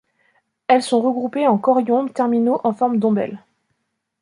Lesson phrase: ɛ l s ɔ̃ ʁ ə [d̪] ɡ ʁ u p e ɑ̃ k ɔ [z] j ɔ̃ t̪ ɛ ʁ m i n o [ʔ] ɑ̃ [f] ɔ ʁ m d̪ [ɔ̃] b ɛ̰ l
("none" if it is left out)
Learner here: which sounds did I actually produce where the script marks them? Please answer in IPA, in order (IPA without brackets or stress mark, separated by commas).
none, ʁ, ʔ, f, ɔ̃